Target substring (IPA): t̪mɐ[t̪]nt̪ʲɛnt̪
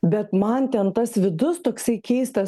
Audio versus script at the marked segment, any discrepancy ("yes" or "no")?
yes